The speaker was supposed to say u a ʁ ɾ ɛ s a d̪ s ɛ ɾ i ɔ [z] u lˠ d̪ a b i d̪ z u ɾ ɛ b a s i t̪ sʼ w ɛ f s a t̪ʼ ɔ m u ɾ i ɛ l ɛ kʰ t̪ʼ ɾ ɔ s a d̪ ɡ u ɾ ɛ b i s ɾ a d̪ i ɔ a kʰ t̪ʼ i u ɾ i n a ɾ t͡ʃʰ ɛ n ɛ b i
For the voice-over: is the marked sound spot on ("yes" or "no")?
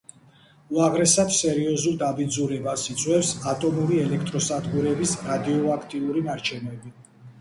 yes